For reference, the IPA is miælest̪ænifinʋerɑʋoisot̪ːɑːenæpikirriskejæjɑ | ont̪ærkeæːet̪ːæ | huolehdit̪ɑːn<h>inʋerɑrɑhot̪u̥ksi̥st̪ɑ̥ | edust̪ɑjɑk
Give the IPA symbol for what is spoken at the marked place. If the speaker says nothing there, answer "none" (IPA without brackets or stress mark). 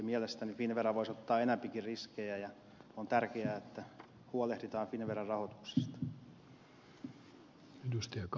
f